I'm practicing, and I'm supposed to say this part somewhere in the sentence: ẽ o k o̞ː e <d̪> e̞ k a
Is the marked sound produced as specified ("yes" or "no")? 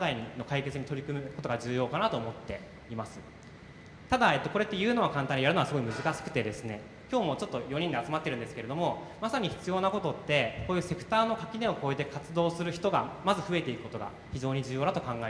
no